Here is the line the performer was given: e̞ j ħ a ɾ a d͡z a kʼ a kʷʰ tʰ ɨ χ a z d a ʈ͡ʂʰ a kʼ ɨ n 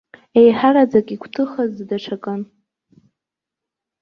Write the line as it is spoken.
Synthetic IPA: e̞ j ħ a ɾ a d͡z a kʼ i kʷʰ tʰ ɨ χ a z d a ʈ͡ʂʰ a kʼ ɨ n